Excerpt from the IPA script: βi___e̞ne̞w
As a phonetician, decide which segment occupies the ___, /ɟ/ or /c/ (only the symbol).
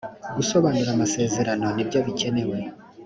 c